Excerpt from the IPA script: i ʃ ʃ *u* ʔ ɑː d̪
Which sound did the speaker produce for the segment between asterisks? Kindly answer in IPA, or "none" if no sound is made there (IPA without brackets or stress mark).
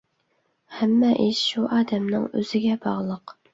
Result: u